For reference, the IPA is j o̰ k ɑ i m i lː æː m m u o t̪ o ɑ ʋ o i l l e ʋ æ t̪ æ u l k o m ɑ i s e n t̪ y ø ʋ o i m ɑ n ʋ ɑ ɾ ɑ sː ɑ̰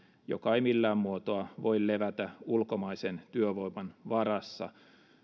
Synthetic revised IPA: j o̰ k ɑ i m i lː æː m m u o t̪ o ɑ ʋ o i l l e ʋ æ t̪ æ u l k o m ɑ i s e n t̪ y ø ʋ o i m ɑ n ʋ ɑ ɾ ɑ sː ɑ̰